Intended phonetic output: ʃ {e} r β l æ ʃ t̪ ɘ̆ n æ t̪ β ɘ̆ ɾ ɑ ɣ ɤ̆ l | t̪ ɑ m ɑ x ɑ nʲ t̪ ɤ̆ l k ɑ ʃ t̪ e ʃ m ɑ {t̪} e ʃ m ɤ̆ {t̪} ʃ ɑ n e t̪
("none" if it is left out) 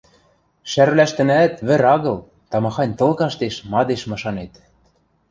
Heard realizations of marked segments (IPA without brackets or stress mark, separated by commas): æ, d̪, none